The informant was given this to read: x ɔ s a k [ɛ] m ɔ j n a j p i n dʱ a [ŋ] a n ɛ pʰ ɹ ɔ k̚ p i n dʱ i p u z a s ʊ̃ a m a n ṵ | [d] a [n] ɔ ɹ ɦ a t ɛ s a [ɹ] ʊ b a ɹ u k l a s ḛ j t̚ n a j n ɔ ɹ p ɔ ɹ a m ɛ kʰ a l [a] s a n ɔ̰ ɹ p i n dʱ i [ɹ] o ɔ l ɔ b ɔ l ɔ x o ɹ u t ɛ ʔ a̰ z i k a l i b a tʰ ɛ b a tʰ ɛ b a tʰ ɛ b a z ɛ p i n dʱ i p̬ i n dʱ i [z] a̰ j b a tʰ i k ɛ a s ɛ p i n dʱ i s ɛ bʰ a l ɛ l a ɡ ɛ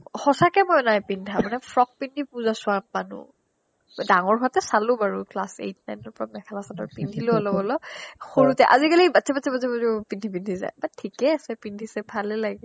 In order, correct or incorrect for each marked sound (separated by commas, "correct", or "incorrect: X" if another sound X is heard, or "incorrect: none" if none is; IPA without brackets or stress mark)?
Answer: correct, incorrect: m, correct, incorrect: ŋ, incorrect: l, correct, incorrect: l, correct